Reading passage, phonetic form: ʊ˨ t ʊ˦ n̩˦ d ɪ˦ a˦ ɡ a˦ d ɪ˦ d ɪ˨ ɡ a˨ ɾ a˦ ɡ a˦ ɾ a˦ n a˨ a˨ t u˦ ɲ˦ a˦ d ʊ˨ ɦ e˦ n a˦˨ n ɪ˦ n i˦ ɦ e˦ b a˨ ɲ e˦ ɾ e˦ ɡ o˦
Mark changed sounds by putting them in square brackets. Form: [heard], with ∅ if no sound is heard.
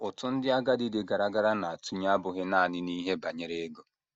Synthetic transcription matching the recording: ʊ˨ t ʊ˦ n̩˦ d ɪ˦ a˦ ɡ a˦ d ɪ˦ d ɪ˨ ɡ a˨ ɾ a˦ ɡ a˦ ɾ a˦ n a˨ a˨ t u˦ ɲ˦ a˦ [b] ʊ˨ ɦ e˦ n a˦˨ n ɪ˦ n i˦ ɦ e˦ b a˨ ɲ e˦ ɾ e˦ ɡ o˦

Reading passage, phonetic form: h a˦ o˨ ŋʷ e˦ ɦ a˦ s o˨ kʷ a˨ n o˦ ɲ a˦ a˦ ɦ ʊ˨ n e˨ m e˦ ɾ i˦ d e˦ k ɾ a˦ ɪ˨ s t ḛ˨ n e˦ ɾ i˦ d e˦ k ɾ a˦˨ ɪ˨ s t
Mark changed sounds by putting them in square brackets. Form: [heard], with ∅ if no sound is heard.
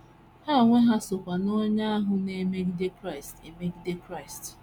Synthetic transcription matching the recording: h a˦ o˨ ŋʷ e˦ ɦ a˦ s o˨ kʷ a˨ n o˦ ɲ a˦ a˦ ɦ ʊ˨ n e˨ m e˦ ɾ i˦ d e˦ k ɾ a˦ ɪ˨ s t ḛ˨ [m] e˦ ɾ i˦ d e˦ k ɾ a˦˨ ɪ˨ s t

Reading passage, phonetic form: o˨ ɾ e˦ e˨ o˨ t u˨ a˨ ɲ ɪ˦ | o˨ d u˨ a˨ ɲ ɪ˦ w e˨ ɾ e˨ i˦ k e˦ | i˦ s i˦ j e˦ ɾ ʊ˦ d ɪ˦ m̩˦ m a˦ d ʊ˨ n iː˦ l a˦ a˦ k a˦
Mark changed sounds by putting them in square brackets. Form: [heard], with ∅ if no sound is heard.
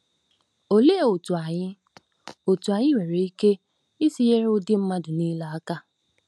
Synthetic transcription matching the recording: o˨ [l] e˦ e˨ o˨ t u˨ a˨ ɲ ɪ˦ | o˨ [t] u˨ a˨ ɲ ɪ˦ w e˨ ɾ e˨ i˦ k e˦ | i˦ s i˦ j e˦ ɾ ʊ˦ d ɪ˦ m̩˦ m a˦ d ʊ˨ n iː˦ l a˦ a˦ k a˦

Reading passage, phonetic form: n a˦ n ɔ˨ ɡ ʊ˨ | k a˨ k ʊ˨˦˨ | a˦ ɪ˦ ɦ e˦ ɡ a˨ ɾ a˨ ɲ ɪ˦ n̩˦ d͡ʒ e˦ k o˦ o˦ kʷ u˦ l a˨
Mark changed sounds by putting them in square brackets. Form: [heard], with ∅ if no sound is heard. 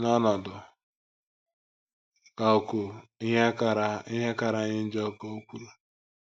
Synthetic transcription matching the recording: n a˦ n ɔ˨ [d] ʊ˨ | k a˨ k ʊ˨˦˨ | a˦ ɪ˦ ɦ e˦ [k] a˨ ɾ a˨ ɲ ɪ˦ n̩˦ d͡ʒ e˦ k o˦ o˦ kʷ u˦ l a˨

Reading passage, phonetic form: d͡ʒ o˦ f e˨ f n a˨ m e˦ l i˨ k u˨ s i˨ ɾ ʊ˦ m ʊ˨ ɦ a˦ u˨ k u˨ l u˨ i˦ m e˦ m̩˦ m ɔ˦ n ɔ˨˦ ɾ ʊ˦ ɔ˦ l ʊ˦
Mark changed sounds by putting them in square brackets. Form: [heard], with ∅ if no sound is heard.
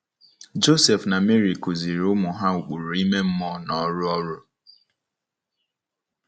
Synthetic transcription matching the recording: d͡ʒ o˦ [s] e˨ f n a˨ m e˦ [ɾ] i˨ k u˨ [z] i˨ ɾ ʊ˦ m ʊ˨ ɦ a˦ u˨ [k͡p] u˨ [ɾ] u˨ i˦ m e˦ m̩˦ m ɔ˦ n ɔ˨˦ ɾ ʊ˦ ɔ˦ [ɾ] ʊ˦

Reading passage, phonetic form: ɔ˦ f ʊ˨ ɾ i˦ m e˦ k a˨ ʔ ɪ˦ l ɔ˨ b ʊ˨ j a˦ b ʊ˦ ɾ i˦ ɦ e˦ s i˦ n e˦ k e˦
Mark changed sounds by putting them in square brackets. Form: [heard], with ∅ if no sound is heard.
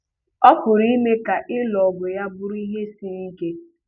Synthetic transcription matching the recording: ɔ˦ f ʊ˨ ɾ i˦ m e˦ k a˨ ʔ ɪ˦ l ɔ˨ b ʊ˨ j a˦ b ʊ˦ ɾ i˦ ɦ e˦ s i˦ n [i˦] k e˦

